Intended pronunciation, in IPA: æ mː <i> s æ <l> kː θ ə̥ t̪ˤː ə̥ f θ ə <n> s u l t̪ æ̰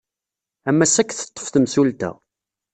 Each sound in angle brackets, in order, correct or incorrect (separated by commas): incorrect, incorrect, incorrect